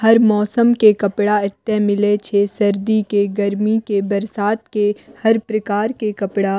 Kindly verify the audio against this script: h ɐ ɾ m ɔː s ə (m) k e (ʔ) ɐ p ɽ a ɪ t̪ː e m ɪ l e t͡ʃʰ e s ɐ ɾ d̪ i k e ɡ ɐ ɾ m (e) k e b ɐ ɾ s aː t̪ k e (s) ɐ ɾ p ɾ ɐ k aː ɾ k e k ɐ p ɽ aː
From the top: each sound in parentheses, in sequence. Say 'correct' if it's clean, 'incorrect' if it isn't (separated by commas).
correct, incorrect, incorrect, incorrect